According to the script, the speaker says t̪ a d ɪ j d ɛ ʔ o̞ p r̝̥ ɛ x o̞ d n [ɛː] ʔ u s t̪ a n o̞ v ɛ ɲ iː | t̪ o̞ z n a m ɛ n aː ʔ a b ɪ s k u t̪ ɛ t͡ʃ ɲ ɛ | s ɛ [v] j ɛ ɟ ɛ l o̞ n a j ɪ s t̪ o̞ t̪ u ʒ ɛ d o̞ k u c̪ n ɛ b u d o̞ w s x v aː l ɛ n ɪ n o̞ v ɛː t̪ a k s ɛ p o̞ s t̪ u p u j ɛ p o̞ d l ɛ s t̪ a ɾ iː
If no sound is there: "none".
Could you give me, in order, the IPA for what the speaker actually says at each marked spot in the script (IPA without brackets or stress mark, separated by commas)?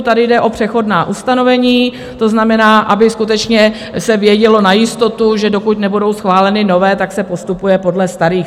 aː, v